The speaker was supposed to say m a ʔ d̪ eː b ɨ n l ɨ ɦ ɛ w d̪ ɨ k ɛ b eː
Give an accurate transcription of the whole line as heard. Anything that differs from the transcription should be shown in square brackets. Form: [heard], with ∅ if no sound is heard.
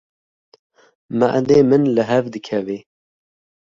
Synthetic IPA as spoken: m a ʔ d̪ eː [m] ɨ n l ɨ ɦ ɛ [v] d̪ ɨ [kʰ] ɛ [v] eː